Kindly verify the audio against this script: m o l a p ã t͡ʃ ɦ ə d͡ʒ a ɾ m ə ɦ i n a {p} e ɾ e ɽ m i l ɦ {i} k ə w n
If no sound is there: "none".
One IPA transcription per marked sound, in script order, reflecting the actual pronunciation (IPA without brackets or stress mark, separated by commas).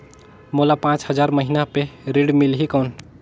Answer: p, i